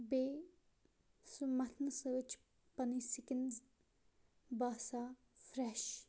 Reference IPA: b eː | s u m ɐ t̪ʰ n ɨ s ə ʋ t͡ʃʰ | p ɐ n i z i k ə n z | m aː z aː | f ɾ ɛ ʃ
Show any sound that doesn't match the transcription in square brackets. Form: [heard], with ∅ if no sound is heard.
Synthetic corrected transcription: b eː | s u m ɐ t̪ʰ n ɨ s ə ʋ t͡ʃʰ | p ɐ n i [s] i k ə n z | [b] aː [s] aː | f ɾ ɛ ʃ